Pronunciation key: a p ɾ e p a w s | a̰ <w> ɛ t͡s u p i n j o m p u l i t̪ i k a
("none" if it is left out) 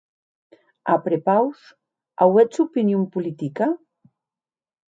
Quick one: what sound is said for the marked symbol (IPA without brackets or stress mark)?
w